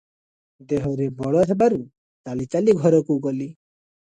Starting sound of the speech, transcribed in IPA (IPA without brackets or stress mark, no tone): d̪